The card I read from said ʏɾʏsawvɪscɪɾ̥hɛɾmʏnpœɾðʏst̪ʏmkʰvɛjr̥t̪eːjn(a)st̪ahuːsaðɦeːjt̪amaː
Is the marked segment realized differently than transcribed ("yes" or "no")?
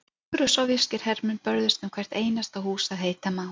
no